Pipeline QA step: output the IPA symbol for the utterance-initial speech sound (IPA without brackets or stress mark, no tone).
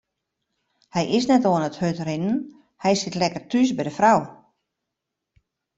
h